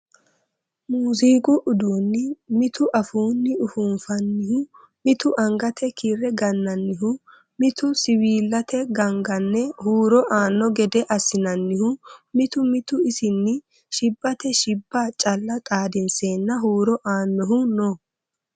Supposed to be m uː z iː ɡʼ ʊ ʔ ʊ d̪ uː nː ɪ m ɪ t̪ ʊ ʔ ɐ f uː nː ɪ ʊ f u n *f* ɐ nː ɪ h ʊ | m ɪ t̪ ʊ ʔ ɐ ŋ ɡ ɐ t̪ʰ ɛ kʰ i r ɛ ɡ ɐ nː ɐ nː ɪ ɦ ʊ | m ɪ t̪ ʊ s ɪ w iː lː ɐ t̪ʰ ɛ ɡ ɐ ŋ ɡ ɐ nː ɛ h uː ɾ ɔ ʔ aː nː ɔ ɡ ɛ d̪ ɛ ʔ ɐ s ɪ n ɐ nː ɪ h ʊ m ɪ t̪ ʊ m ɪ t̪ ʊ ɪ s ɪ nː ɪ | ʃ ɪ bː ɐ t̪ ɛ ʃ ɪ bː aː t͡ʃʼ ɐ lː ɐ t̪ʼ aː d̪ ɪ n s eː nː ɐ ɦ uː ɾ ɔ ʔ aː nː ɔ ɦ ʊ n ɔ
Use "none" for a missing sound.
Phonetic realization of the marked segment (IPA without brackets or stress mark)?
f